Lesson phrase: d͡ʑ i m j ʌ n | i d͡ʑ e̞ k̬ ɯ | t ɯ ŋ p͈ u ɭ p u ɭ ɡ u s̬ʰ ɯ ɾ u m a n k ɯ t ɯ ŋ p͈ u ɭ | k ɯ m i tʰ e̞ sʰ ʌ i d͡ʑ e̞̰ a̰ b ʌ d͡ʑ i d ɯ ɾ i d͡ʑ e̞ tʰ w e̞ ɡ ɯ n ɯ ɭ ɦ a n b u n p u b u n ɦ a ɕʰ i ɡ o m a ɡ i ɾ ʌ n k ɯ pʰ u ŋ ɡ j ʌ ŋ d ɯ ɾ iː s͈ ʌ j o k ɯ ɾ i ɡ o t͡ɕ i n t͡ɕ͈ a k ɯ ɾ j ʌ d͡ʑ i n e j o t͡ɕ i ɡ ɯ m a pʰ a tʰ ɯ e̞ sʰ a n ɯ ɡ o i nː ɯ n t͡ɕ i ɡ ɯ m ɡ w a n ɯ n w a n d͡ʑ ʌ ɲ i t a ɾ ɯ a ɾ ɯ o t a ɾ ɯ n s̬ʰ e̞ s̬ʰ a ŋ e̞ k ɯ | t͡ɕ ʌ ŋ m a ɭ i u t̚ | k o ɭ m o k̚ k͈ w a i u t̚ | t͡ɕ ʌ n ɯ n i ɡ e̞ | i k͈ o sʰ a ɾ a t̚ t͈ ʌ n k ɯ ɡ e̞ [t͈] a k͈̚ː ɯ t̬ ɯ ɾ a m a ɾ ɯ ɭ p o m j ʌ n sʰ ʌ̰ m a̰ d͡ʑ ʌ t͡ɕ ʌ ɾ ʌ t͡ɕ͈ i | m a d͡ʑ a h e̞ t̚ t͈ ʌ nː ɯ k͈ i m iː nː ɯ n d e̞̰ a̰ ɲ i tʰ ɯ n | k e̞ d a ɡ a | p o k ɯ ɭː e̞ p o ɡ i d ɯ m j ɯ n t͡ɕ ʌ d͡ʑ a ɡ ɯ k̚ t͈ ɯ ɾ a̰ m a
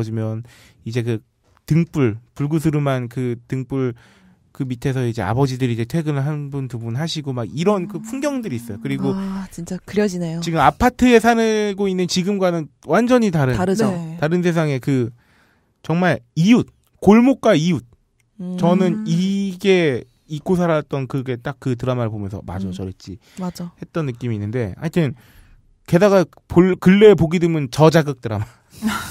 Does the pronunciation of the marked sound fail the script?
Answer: no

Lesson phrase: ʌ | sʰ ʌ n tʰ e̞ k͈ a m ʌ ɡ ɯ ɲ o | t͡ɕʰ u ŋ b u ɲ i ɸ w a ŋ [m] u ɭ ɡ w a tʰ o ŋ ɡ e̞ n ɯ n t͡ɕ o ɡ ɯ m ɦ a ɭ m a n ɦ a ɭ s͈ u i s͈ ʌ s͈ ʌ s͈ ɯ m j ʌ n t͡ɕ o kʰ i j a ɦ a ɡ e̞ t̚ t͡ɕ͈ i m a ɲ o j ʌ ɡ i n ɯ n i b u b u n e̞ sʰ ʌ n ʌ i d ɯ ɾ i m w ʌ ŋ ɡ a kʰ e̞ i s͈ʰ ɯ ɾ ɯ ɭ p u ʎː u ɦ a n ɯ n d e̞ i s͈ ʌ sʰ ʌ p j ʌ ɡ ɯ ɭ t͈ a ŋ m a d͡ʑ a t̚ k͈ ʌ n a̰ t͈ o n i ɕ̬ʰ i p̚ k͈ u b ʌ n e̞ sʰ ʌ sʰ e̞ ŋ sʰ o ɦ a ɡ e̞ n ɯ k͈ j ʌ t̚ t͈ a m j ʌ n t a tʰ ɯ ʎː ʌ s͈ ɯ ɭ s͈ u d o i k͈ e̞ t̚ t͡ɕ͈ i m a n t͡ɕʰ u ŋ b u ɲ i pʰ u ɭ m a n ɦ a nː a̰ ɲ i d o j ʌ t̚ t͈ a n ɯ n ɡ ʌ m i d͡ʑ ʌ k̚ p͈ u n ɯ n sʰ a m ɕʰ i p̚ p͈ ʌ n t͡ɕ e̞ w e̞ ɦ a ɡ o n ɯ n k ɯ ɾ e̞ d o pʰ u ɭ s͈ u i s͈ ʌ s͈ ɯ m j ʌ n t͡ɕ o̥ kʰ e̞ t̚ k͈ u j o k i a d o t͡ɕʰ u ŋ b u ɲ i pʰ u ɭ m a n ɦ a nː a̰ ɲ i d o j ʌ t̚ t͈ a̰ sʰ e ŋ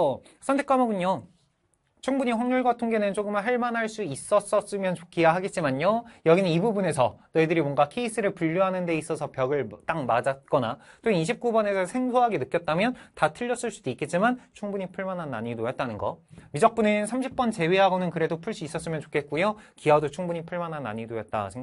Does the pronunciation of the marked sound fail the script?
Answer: yes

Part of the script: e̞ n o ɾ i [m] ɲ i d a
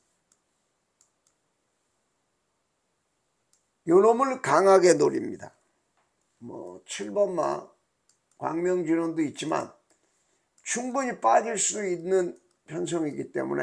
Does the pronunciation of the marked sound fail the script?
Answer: no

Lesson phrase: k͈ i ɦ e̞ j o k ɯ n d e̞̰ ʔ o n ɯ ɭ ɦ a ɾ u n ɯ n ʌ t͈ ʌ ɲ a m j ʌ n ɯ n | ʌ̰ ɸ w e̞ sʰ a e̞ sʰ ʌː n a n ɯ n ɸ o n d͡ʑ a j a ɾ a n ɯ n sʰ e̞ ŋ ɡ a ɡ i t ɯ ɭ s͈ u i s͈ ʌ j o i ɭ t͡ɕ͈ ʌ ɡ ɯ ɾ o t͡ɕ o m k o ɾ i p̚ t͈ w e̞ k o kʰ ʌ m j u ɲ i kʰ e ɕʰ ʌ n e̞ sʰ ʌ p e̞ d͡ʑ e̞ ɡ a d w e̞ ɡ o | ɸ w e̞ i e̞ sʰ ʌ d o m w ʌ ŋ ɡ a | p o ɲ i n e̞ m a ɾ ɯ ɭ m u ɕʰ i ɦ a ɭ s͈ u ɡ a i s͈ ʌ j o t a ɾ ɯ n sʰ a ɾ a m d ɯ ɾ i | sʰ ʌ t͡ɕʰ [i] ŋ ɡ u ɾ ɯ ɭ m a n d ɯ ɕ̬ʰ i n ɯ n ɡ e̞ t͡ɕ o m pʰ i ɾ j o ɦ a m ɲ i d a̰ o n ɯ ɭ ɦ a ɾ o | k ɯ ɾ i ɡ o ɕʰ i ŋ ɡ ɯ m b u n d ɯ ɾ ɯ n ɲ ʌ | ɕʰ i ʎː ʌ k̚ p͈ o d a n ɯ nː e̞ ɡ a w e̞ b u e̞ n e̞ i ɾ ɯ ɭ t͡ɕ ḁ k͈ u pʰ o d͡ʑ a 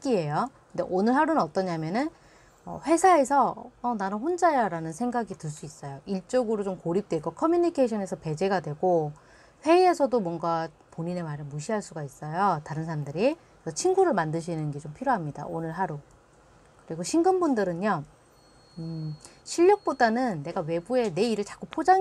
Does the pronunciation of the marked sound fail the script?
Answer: no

